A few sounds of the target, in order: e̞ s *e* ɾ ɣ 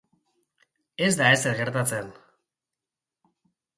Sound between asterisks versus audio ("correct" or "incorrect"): correct